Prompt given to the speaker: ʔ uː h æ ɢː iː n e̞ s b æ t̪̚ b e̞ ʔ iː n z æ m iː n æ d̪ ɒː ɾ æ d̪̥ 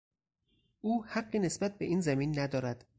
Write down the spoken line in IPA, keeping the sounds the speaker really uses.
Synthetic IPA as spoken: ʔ uː h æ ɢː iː n e̞ s b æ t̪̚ b e̞ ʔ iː n z æ m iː nː æ d̪ ɒː ɾ æ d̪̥